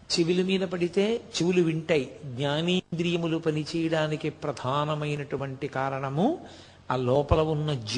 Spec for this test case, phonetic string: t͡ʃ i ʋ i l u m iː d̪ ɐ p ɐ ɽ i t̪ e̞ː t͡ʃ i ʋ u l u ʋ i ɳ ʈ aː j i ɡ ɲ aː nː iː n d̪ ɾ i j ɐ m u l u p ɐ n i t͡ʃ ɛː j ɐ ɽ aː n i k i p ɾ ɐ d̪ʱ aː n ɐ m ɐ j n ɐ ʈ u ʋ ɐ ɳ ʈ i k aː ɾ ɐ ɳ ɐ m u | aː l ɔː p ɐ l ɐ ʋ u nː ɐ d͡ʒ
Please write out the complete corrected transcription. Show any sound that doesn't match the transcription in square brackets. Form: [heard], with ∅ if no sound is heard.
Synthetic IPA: t͡ʃ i ʋ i l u m iː d̪ ɐ p ɐ ɽ i t̪ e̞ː t͡ʃ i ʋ u l u ʋ i ɳ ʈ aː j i ɡ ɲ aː [n] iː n d̪ ɾ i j ɐ m u l u p ɐ n i t͡ʃ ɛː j ɐ ɽ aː n i k i p ɾ ɐ d̪ʱ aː n ɐ m ɐ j n ɐ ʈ u ʋ ɐ ɳ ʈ i k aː ɾ ɐ ɳ ɐ m u | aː l ɔː p ɐ l ɐ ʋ u nː ɐ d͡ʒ